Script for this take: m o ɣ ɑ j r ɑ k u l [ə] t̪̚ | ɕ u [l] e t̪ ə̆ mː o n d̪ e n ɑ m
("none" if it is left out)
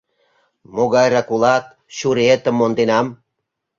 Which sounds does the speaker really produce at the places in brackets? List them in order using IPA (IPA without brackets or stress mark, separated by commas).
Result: ɑ, ɾ